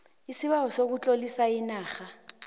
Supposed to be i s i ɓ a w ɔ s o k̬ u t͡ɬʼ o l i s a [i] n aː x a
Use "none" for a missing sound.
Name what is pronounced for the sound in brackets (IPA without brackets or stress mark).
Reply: i